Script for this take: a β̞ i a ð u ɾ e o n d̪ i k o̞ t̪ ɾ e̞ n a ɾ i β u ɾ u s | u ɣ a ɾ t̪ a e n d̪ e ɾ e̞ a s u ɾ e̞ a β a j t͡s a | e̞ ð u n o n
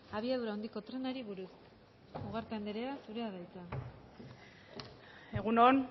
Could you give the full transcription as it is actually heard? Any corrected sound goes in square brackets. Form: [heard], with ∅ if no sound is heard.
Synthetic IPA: a β̞ i a ð u ɾ [a] o n d̪ i k o̞ t̪ ɾ e̞ n a ɾ i β u ɾ u s | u ɣ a ɾ t̪ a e n d̪ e ɾ e̞ a s u ɾ e̞ a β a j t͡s a | e̞ [ɣ] u n o n